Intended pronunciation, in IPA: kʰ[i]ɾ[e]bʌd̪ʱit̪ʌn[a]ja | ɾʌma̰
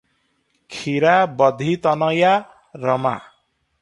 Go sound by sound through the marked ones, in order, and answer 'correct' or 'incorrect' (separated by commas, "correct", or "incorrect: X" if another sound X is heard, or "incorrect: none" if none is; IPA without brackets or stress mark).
correct, incorrect: a, incorrect: ʌ